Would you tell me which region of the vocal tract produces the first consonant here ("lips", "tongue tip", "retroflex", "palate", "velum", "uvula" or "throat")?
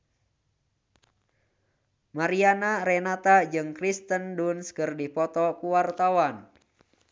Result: lips